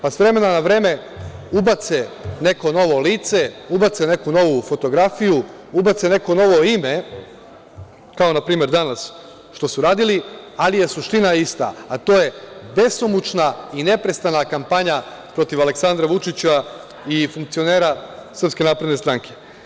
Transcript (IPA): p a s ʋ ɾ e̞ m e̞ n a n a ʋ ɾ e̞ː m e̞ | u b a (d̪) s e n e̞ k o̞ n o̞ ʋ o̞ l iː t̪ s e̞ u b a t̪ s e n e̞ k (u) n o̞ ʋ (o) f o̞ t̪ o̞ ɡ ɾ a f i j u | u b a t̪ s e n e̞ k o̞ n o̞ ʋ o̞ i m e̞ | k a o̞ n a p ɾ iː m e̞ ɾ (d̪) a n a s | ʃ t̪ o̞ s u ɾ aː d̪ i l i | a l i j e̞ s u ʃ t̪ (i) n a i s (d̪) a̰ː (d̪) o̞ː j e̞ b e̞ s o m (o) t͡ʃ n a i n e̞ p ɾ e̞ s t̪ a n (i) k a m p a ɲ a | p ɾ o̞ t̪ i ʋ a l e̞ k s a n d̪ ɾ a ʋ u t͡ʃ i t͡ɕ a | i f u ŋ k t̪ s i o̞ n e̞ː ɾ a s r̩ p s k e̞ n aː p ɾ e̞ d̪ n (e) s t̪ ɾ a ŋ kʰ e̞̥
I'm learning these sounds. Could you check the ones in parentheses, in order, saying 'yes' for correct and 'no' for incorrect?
no, yes, no, yes, yes, no, no, no, no, yes

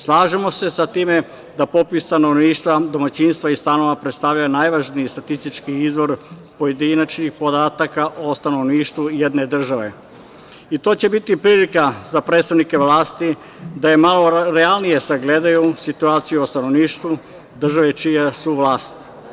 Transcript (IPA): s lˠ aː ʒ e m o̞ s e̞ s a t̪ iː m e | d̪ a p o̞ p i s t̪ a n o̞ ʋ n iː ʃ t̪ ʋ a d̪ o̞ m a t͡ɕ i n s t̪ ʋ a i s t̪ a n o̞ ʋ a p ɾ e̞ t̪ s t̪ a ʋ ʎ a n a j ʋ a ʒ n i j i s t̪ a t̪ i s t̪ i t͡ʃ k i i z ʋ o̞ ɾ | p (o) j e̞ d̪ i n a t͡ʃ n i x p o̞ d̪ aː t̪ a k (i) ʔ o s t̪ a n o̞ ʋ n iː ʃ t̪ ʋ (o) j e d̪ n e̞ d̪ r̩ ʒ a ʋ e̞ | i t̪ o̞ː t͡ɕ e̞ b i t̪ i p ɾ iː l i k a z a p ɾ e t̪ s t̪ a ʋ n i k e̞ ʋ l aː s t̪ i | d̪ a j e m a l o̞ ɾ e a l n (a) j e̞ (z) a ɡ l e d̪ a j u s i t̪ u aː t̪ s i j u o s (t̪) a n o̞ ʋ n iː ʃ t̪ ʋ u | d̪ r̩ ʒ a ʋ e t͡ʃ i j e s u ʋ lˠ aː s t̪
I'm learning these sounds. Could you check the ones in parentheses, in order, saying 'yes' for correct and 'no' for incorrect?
yes, no, no, no, no, yes

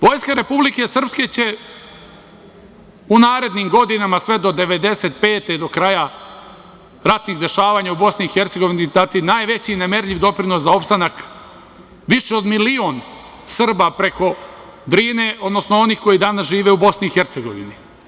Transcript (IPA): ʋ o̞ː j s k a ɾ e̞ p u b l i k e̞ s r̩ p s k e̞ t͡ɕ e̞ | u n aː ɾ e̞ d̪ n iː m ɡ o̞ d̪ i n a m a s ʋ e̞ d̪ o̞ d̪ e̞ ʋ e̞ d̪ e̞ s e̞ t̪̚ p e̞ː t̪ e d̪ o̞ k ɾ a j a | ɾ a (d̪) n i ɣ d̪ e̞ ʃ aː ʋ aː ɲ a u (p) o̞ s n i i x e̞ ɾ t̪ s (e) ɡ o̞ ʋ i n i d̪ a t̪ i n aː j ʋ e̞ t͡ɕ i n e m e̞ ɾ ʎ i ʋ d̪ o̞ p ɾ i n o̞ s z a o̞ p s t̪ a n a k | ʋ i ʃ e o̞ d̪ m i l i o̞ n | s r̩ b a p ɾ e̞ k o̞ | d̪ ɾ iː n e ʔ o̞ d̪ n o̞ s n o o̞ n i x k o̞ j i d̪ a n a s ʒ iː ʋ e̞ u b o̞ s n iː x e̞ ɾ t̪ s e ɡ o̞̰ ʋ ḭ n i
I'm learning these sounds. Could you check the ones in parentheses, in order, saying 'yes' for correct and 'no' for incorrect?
no, no, yes

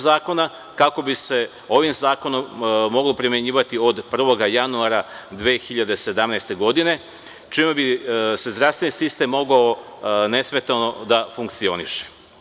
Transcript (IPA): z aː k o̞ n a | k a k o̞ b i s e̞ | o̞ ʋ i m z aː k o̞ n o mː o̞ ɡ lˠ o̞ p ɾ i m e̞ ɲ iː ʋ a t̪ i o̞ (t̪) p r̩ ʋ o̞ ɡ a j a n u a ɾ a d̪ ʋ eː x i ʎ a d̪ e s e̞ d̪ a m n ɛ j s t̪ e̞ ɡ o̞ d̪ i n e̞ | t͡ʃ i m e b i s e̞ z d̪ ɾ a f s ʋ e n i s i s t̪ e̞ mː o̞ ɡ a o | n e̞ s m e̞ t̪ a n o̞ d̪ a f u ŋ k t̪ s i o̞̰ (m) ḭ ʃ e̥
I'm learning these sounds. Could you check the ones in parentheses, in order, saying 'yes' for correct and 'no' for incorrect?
no, no

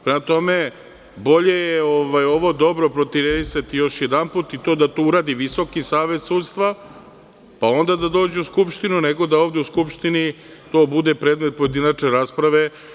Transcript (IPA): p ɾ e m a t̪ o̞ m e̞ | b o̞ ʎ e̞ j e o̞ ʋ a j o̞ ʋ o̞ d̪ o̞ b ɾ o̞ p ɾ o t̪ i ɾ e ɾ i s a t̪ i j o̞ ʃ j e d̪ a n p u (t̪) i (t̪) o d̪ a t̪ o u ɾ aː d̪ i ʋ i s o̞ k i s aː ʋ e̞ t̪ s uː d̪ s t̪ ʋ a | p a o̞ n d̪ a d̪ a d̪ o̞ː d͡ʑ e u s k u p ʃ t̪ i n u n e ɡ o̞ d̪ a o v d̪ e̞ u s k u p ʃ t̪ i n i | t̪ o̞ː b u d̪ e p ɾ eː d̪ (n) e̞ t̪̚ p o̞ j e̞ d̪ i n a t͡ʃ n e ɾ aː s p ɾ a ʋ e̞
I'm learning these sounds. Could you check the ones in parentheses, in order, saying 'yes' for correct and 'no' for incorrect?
yes, yes, no

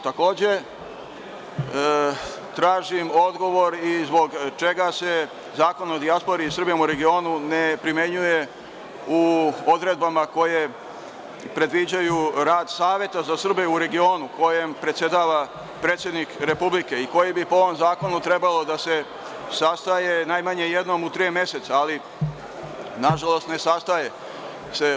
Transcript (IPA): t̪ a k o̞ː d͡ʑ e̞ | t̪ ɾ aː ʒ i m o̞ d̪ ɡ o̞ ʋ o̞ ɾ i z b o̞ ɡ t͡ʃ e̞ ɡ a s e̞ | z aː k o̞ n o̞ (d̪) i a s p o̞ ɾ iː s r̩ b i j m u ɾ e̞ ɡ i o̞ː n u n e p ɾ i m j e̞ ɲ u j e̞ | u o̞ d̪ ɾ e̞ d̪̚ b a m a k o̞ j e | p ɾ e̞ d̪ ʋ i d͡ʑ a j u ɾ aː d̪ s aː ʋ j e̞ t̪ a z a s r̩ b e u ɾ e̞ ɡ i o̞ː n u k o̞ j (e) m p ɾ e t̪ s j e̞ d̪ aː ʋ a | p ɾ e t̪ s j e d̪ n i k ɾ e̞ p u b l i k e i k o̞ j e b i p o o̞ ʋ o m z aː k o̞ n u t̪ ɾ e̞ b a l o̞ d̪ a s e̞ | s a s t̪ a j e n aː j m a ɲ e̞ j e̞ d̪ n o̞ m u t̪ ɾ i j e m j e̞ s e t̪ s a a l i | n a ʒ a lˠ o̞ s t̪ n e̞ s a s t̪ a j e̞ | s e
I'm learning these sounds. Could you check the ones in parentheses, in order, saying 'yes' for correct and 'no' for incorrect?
yes, yes

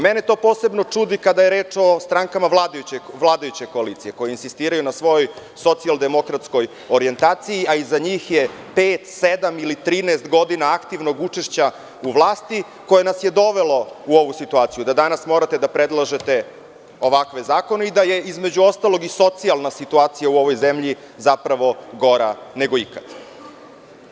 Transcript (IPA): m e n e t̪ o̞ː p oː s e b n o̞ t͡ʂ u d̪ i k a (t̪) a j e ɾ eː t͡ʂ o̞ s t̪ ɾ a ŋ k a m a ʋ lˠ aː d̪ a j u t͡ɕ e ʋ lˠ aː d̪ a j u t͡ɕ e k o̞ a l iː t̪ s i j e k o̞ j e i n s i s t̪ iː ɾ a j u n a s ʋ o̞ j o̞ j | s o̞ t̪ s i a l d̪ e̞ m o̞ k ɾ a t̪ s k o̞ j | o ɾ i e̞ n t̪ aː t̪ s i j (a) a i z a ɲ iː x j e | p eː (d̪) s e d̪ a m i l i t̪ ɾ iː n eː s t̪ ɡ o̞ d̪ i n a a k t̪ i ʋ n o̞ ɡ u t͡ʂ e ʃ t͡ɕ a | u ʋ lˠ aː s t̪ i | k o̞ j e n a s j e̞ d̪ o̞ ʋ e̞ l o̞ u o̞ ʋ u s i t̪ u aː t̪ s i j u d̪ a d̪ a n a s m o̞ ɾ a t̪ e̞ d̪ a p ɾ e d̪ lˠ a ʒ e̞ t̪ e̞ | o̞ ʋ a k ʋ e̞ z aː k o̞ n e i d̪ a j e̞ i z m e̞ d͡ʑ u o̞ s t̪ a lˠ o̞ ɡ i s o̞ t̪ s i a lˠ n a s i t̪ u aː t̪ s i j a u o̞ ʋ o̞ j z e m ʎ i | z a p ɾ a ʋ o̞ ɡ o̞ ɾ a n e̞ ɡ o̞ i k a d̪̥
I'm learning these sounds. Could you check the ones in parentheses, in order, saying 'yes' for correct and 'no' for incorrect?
no, no, no

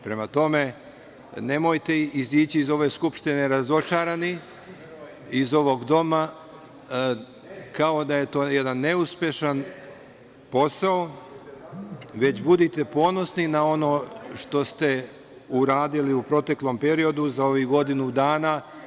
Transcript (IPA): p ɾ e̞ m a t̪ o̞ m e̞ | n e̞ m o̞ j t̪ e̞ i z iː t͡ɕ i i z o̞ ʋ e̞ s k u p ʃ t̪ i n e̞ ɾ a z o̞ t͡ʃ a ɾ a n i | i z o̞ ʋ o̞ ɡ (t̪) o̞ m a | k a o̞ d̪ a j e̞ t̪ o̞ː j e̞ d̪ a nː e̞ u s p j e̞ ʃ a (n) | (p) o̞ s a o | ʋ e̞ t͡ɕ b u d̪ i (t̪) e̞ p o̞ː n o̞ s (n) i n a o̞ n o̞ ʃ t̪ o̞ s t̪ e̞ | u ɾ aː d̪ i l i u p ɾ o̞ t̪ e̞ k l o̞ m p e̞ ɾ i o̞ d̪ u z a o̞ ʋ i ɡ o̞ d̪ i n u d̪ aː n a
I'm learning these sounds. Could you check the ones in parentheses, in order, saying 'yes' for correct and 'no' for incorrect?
no, yes, yes, yes, yes

